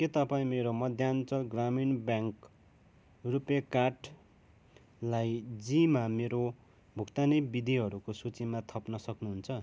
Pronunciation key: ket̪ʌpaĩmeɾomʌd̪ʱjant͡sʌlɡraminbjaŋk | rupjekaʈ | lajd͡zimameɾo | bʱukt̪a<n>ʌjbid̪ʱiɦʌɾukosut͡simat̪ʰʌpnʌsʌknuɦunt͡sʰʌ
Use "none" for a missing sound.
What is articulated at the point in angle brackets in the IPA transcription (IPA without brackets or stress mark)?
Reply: n